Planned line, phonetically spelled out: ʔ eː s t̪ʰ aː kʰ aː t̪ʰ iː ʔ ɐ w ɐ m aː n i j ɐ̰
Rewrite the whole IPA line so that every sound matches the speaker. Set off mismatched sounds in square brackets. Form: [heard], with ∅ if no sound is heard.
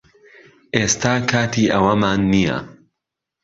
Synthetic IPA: ʔ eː s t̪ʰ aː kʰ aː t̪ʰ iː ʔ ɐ w ɐ m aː [nː] i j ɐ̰